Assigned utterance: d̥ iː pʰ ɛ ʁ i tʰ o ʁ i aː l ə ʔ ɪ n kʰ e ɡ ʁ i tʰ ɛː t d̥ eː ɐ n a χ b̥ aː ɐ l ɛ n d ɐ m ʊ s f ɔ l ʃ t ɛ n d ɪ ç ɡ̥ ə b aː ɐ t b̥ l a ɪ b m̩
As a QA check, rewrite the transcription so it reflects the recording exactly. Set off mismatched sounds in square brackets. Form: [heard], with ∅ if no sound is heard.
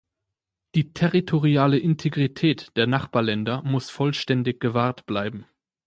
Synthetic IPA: d̥ iː [tʰ] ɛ ʁ i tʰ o ʁ i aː l ə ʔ ɪ n [tʰ] e ɡ ʁ i tʰ ɛː t d̥ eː ɐ n a χ b̥ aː ɐ l ɛ n d ɐ m ʊ s f ɔ l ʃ t ɛ n d ɪ ç ɡ̥ ə [v] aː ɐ t b̥ l a ɪ b m̩